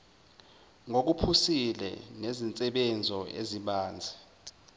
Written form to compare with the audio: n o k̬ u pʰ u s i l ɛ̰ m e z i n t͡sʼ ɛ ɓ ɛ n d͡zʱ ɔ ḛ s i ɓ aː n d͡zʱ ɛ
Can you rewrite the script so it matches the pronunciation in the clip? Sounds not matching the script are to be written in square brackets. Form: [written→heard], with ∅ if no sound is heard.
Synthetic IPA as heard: [n→ŋ] o k̬ u pʰ u s i l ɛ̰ [m→n] e z i n t͡sʼ ɛ ɓ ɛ n d͡zʱ ɔ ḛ [s→z] i ɓ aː n d͡zʱ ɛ

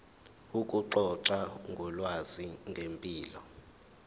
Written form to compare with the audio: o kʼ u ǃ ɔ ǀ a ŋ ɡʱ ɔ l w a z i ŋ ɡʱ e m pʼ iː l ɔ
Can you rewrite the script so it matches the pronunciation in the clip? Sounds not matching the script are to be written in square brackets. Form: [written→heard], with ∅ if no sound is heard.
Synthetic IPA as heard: [o→u] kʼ u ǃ ɔ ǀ a ŋ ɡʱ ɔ l w a z i ŋ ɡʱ e m pʼ iː l ɔ

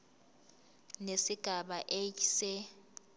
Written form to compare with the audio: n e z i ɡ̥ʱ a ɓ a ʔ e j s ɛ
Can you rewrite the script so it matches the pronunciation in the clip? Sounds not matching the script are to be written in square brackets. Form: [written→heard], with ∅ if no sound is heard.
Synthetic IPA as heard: n e [z→s] i ɡ̥ʱ a ɓ a ʔ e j s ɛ

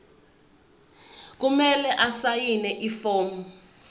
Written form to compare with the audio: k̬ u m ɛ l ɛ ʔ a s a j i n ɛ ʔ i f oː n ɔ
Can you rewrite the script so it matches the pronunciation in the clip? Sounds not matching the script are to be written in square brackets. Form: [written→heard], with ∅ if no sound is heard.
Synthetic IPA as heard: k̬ u m ɛ l ɛ ʔ a s a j i n ɛ ʔ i f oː [n→m] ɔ

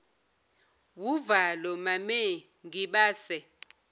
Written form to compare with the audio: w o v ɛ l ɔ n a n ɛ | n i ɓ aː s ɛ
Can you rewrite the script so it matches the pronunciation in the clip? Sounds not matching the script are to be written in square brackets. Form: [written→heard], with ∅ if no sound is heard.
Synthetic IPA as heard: w [o→u] v [ɛ→a] l ɔ [n→m] a [n→m] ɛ | [n→ŋ] i ɓ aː s ɛ

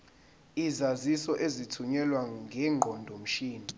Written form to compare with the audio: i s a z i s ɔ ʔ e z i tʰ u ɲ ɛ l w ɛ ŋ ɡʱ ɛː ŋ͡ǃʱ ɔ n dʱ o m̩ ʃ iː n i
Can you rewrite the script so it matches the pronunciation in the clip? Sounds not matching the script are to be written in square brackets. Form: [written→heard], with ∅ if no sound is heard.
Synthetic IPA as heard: i [s→z] a z i s ɔ ʔ e z i tʰ u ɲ ɛ l w [ɛ→a] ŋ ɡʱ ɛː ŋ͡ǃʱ ɔ n dʱ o m̩ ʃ iː n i

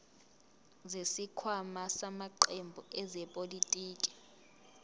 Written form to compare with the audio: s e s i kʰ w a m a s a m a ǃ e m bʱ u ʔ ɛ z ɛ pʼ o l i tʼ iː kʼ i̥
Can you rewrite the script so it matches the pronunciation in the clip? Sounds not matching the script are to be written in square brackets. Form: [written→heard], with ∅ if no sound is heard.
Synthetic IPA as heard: [s→z] e s i kʰ w a m a s a m a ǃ e m bʱ u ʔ ɛ z ɛ pʼ o l i tʼ iː kʼ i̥

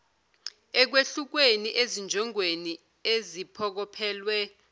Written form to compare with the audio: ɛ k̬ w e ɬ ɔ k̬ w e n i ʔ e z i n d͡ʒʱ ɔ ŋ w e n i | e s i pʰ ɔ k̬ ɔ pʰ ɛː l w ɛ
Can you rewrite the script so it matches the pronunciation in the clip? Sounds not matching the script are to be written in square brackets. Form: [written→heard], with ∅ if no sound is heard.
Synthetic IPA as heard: ɛ k̬ w e ɬ [ɔ→u] k̬ w e n i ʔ e z i n d͡ʒʱ ɔ ŋ w e n i | e [s→z] i pʰ ɔ k̬ ɔ pʰ ɛː l w ɛ

